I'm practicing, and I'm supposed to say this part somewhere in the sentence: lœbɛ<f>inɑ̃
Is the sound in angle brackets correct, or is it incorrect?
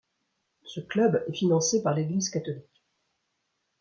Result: correct